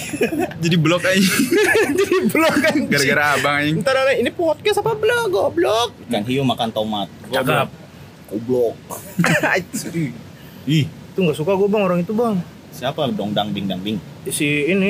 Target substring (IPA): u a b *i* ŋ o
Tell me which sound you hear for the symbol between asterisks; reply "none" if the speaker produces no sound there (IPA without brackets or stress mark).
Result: a